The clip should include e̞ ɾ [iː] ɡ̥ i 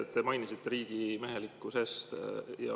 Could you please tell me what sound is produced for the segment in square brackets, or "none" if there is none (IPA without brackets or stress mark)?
iː